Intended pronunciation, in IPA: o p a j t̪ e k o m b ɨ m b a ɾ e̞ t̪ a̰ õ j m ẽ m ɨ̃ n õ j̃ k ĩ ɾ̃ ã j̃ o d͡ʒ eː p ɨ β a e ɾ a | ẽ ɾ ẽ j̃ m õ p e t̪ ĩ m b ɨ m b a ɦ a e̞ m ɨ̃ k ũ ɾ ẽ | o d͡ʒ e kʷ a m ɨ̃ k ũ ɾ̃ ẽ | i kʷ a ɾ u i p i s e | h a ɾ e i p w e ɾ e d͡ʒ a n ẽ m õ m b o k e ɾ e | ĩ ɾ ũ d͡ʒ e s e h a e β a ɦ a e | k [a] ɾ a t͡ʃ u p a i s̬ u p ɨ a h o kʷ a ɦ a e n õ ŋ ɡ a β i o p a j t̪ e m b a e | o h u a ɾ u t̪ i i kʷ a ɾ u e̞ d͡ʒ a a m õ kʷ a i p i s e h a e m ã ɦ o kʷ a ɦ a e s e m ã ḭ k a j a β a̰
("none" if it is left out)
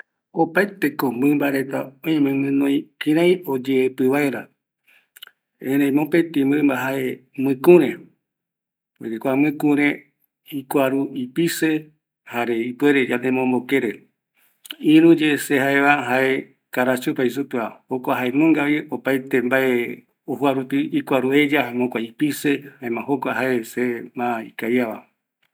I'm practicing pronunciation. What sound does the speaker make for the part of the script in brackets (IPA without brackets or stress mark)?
a